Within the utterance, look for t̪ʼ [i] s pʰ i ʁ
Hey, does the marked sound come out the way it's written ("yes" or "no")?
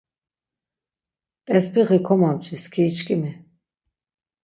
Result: no